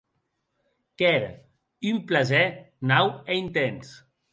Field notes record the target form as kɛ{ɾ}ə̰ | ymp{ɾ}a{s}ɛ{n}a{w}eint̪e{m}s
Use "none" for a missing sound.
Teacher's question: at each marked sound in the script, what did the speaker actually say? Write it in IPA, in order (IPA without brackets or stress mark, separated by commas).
ɾ, l, z, n, w, n